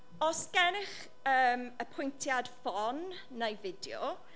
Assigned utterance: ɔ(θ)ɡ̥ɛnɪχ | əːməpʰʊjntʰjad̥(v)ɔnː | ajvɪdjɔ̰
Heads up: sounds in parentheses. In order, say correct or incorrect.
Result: incorrect, incorrect

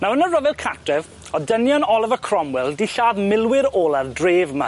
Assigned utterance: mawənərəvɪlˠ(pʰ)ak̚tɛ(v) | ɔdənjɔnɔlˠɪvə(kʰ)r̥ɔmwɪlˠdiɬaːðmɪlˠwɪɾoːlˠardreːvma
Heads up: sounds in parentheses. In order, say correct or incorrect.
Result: incorrect, correct, correct

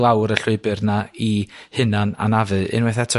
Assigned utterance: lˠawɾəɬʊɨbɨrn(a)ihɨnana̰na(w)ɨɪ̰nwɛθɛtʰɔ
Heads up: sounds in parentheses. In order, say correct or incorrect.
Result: correct, incorrect

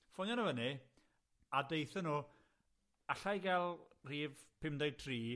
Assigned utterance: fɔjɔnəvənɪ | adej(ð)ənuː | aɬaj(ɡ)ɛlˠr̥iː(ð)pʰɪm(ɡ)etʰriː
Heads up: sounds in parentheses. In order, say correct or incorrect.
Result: incorrect, correct, incorrect, incorrect

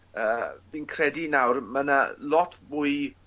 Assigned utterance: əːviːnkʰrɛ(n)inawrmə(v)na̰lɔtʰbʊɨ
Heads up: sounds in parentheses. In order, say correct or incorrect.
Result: incorrect, incorrect

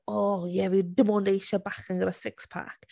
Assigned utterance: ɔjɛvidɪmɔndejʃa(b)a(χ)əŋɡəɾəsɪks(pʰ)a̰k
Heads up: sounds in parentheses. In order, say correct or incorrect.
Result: correct, correct, correct

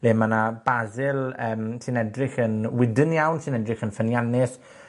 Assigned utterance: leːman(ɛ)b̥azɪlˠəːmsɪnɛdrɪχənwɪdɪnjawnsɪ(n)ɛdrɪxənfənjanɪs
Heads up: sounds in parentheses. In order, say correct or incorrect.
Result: incorrect, correct

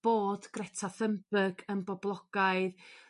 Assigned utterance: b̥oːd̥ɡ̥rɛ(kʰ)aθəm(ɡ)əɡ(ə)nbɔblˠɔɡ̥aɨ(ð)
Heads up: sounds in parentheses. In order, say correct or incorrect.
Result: incorrect, incorrect, correct, correct

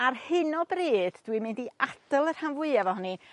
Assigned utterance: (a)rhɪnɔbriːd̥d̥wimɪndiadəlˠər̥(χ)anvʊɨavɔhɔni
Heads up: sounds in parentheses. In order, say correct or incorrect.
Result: correct, incorrect

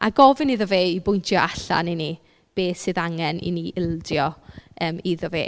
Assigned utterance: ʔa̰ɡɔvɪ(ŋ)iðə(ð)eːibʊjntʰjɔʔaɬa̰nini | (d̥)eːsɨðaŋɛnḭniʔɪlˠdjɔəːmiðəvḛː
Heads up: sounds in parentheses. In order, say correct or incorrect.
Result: incorrect, incorrect, incorrect

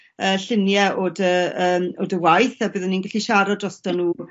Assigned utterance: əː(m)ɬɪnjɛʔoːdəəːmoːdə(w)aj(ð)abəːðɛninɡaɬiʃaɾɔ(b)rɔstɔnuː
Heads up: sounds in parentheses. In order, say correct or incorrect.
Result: incorrect, correct, incorrect, incorrect

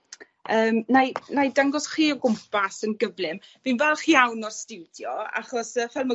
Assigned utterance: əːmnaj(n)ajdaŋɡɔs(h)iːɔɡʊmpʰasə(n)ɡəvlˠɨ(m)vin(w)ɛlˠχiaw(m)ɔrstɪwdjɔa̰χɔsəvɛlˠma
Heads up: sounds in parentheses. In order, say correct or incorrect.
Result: correct, incorrect, correct, correct, incorrect, incorrect

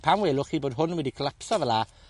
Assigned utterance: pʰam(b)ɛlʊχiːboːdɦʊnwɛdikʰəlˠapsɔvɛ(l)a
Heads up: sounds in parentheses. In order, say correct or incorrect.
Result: incorrect, correct

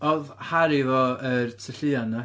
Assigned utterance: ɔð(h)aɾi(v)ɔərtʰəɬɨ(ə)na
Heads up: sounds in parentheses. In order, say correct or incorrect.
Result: correct, correct, incorrect

